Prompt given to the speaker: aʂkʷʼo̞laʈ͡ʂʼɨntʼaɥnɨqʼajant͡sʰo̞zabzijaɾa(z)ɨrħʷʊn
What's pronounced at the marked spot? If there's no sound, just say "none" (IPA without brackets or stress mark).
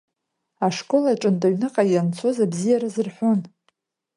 z